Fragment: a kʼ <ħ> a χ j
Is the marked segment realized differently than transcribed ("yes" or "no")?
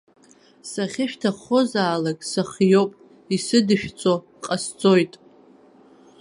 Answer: yes